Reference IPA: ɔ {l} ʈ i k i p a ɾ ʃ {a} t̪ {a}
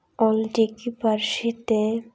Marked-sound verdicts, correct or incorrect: correct, incorrect, incorrect

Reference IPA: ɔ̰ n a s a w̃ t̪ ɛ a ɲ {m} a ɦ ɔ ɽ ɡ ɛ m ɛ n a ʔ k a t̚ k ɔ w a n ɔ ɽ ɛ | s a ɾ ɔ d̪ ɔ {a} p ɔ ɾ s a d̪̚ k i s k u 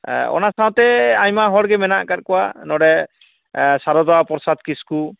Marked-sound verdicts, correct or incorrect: correct, correct

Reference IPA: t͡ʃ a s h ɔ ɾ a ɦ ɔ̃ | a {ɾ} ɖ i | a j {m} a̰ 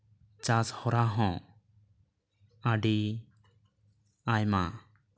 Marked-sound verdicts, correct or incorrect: incorrect, correct

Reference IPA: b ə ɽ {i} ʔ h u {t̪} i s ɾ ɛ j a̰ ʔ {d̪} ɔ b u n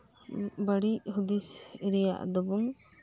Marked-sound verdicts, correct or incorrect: correct, incorrect, correct

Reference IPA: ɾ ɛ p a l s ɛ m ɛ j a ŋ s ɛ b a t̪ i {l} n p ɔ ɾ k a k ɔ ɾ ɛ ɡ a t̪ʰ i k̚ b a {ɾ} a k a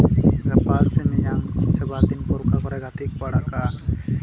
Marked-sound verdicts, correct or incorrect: incorrect, incorrect

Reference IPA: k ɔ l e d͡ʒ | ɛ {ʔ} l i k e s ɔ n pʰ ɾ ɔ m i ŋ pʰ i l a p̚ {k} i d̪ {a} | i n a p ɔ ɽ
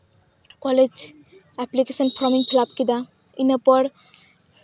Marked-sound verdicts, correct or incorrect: incorrect, correct, correct

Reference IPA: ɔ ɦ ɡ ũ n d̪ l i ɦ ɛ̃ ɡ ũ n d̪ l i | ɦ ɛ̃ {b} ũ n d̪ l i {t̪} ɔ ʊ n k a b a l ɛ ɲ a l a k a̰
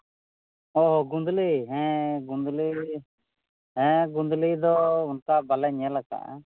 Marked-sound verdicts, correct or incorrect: incorrect, incorrect

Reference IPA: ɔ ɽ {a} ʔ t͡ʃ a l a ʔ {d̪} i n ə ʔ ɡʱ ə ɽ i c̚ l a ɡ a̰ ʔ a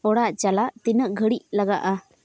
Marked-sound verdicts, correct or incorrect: correct, incorrect

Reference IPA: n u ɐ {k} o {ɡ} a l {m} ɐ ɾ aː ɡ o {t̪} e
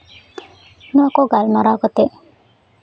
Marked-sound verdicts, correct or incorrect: correct, correct, correct, correct

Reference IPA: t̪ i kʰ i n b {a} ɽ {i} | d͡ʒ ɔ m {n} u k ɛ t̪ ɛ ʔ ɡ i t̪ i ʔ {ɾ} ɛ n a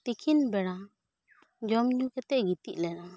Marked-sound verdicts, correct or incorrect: incorrect, incorrect, incorrect, incorrect

